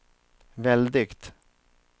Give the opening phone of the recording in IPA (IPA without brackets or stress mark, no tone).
v